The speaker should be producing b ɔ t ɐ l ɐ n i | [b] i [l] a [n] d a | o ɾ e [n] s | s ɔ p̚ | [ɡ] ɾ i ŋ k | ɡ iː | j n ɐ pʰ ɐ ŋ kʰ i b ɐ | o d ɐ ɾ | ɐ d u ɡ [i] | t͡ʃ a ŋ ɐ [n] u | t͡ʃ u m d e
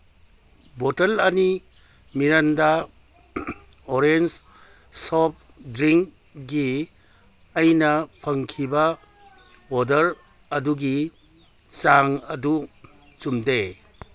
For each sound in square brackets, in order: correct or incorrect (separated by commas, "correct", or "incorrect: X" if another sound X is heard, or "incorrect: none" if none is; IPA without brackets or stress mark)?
incorrect: m, incorrect: ɾ, correct, correct, incorrect: d, correct, incorrect: d